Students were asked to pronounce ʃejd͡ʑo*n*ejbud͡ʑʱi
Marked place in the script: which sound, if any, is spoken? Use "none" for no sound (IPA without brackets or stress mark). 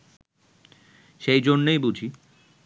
nː